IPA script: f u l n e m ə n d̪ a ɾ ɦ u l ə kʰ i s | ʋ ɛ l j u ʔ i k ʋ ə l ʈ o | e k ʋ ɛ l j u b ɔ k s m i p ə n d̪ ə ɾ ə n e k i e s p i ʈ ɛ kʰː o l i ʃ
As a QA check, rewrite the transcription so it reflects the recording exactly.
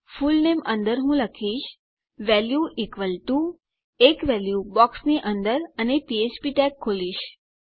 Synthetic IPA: f u l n e m ə n d̪ ə ɾ ɦ ũ l ə kʰ i ʃ | ʋ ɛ l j u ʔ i k ʋ ə l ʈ u | e k ʋ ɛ l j u b ɔ k s n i ʔ ə n d̪ ə ɾ ə n e p i e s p i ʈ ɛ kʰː o l i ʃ